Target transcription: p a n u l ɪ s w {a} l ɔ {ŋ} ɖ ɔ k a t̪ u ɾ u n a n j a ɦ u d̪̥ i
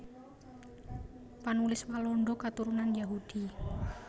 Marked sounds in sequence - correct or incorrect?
correct, incorrect: ɳ

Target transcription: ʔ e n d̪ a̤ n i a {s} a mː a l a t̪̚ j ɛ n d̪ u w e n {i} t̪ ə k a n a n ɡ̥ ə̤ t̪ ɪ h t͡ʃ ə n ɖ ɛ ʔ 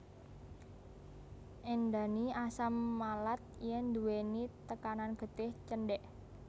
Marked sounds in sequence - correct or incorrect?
correct, correct

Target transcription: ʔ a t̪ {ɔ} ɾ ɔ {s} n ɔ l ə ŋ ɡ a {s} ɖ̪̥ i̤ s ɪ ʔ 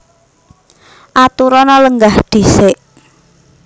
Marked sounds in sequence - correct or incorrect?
incorrect: u, incorrect: none, incorrect: h

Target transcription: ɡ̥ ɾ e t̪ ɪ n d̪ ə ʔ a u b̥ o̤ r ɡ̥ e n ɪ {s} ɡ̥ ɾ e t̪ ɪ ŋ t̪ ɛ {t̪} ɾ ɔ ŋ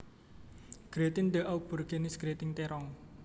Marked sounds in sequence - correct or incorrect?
correct, incorrect: none

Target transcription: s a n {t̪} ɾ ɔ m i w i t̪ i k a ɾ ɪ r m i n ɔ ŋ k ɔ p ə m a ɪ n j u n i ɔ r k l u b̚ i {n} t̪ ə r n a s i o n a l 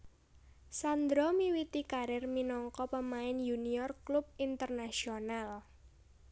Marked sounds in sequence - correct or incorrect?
incorrect: d̪, correct

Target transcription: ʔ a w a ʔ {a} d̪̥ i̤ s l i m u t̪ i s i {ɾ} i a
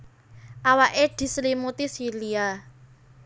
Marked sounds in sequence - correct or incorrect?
incorrect: e, incorrect: l

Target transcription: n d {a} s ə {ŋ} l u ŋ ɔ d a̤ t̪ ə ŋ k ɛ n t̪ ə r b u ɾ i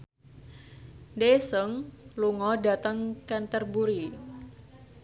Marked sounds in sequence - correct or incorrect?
incorrect: e, correct

